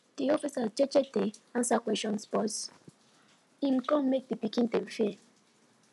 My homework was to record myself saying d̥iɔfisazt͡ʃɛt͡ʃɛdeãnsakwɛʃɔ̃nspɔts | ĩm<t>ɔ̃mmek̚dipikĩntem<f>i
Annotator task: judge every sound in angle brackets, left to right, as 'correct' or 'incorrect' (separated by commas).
incorrect, correct